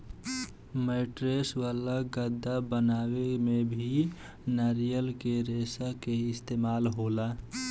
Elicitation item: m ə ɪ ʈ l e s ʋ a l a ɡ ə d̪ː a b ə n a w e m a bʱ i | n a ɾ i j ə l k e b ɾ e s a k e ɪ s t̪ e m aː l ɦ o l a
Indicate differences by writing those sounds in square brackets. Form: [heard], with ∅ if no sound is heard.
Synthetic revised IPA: m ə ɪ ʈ [ɾ] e s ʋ a l a ɡ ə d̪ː a b ə n a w e m [e] bʱ i | n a ɾ i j ə l k e [∅] ɾ e s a k e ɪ s t̪ e m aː l ɦ o l a